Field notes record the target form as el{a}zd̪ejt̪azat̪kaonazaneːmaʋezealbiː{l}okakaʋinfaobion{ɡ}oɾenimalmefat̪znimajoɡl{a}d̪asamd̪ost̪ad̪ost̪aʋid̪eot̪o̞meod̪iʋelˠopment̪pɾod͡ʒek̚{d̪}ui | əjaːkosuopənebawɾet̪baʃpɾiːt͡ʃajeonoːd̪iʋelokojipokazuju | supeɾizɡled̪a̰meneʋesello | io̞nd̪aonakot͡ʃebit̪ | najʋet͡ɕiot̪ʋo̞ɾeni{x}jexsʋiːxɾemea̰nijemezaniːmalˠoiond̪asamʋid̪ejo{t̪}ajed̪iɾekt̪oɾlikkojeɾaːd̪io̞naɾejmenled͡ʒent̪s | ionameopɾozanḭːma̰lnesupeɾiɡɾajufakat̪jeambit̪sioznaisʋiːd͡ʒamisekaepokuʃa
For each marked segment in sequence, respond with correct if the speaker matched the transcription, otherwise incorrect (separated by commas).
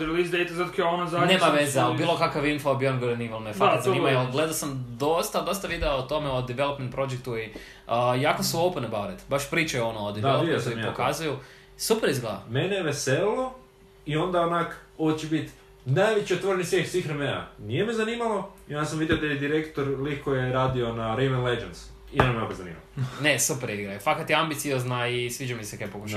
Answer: incorrect, correct, correct, incorrect, incorrect, incorrect, incorrect